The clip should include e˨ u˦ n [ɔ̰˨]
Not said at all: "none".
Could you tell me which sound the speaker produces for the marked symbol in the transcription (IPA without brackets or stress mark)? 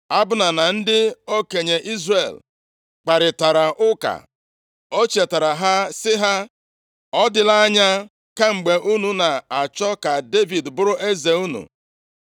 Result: ṵ˨